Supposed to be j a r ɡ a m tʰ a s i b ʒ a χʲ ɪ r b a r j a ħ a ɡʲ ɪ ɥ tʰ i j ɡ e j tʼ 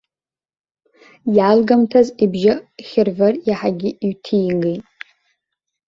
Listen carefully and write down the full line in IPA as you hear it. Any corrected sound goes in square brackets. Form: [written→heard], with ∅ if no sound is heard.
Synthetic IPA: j a [r→l] ɡ a m tʰ a [s→z] i b ʒ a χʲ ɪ r [b→v] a r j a ħ a ɡʲ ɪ ɥ tʰ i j ɡ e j tʼ